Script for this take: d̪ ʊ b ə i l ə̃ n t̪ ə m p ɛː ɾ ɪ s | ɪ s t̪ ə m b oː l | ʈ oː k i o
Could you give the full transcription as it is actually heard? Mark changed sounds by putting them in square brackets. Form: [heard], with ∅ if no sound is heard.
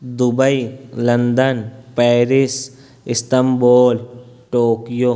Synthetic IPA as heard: d̪ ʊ b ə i l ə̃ n [d̪] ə [n] p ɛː ɾ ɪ s | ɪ s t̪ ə m b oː l | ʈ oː k [j] o